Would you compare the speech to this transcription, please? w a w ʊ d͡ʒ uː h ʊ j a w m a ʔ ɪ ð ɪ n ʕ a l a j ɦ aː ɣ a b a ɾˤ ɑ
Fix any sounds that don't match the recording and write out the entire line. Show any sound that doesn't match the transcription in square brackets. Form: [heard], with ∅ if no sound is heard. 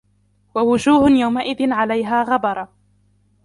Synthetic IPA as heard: w a w ʊ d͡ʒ uː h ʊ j a w m a ʔ ɪ ð ɪ n ʕ a l a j ɦ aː ɣ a b [ɑ] ɾˤ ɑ